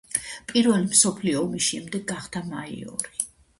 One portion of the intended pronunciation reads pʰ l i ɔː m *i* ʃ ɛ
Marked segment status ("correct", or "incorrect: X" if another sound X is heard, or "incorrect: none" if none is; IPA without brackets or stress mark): correct